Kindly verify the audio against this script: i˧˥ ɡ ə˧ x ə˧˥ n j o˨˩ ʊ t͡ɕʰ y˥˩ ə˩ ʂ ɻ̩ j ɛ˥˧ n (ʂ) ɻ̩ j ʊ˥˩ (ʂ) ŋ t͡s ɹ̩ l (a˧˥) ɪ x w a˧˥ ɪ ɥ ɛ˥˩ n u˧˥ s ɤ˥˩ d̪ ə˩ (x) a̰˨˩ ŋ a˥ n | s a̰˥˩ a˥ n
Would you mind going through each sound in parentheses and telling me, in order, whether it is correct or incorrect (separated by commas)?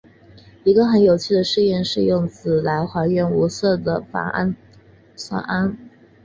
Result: correct, incorrect, correct, incorrect